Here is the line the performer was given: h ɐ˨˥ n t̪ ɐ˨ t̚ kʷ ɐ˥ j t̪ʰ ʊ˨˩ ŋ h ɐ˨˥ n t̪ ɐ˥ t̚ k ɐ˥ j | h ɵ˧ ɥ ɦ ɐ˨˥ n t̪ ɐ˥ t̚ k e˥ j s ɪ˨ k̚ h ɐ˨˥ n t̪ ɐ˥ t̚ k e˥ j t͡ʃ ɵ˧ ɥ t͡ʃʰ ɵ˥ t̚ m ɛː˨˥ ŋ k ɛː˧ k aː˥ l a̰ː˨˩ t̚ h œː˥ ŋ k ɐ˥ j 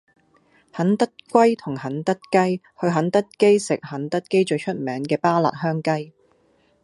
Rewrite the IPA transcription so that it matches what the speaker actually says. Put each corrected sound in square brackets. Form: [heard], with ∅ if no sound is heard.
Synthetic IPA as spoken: h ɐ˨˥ n t̪ [ɐ˥] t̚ kʷ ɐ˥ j t̪ʰ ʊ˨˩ ŋ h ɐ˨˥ n t̪ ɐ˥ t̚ k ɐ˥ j | h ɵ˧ ɥ ɦ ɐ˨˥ n t̪ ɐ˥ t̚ k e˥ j s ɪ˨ k̚ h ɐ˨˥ n t̪ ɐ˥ t̚ k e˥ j t͡ʃ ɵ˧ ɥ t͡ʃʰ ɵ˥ t̚ m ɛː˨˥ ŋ k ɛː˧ [p] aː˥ l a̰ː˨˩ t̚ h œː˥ ŋ k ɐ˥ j